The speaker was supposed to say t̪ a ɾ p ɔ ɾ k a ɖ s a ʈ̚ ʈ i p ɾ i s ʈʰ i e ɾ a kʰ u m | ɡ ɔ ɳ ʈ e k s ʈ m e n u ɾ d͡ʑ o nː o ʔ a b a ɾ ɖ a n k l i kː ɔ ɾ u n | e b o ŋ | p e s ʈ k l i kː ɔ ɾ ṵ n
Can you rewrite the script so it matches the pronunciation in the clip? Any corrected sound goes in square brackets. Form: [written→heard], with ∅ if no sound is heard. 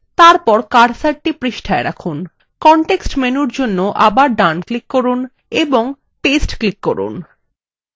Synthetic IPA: t̪ a ɾ p ɔ ɾ k a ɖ s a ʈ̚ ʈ i p ɾ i [s→ʃ] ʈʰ [i→a] e ɾ a kʰ u [m→n] | [ɡ→k] ɔ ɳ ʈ e k s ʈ m e n u ɾ d͡ʑ o nː o ʔ a b a ɾ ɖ a n k l i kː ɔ ɾ u n | e b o ŋ | p e s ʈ k l i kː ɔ ɾ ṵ n

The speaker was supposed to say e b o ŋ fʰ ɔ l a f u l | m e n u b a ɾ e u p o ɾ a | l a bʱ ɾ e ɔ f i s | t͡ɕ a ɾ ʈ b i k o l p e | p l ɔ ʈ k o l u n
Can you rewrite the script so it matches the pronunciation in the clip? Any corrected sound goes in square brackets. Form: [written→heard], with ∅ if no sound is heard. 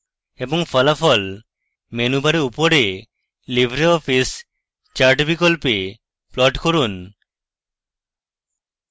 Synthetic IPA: e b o ŋ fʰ ɔ l a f [u→ɔ] l | m e n u b a ɾ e u p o ɾ [a→e] | l [a→i] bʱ ɾ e ɔ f i s | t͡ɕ a ɾ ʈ b i k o l p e | p l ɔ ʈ k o [l→ɾ] u n

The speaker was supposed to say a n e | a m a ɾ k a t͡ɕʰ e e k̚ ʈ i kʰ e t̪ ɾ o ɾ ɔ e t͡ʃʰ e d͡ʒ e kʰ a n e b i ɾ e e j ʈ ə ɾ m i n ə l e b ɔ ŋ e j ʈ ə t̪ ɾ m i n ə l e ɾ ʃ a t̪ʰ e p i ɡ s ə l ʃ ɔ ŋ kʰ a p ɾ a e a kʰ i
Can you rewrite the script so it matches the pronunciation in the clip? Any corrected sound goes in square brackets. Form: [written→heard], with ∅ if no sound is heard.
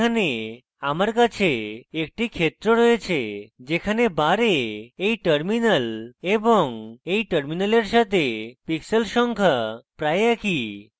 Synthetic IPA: a n e | a m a ɾ k a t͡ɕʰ e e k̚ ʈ i kʰ e t̪ ɾ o ɾ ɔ e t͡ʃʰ e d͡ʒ e kʰ a n e b [i→a] ɾ e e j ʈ ə ɾ m i n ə l e b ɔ ŋ e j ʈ ə [t̪→∅] ɾ m i n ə l e ɾ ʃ a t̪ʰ e p i [ɡ→k] s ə l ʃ ɔ ŋ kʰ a p ɾ a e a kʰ i

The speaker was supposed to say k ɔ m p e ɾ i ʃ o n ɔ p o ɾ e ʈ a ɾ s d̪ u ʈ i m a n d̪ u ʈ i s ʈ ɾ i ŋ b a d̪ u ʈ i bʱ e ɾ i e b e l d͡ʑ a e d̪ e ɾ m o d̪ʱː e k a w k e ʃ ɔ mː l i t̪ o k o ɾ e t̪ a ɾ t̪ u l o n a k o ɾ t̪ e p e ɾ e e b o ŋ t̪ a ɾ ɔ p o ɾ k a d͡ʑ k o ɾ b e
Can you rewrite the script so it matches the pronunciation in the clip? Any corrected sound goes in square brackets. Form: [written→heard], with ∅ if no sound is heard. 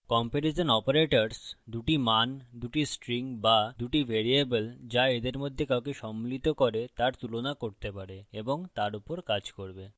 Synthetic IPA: k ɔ m p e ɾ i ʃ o n ɔ p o ɾ e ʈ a ɾ s d̪ u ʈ i m a n d̪ u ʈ i s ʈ ɾ i ŋ b a d̪ u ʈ i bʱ e ɾ i e b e l d͡ʑ a e d̪ e ɾ m o d̪ʱː e k a w k e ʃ ɔ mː l i t̪ o k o ɾ e t̪ a ɾ t̪ u l o n a k o ɾ t̪ e p [e→a] ɾ e e b o ŋ t̪ a ɾ [ɔ→u] p o ɾ k a d͡ʑ k o ɾ b e

